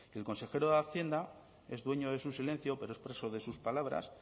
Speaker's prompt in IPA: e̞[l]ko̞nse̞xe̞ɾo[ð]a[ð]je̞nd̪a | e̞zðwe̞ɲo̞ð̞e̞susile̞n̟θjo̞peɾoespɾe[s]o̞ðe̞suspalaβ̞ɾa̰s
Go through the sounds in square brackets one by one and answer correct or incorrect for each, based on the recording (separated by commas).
correct, correct, incorrect, correct